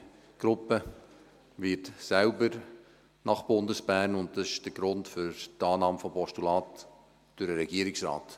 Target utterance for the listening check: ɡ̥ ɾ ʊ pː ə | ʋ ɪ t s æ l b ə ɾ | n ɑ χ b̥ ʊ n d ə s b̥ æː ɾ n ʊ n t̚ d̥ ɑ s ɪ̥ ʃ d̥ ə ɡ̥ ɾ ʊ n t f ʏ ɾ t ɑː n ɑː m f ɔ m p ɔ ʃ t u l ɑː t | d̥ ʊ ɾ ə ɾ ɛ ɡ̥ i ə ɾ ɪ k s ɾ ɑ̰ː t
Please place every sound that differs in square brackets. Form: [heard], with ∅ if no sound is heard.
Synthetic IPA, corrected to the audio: ɡ̥ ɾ ʊ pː ə | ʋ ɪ t s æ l b ə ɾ | n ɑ χ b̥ ʊ n d ə s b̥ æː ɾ n ʊ n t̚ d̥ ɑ s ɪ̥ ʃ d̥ ə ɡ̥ ɾ ʊ n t f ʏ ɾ t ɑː n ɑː m f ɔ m p ɔ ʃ t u l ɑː t | d̥ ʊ ɾ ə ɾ ɛ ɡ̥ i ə ɾ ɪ k s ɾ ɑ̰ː t